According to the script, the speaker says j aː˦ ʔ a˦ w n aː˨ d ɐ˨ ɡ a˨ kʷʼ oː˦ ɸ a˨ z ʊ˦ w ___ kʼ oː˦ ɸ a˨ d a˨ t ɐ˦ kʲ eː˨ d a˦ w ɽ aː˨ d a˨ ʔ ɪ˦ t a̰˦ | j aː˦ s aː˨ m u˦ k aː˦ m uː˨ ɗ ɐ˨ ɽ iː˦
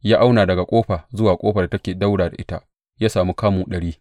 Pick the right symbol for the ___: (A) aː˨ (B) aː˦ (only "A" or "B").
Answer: A